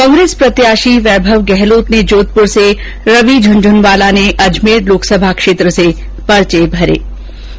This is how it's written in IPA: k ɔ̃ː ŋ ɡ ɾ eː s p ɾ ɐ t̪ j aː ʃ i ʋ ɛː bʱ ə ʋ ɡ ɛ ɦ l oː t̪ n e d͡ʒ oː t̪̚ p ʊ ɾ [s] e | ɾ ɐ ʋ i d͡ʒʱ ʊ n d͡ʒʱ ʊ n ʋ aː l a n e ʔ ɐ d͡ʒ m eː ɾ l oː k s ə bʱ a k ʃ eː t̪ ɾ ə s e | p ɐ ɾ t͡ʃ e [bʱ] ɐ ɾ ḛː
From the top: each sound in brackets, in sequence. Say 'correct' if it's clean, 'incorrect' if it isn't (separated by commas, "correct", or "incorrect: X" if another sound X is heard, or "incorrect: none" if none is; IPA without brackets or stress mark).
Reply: correct, correct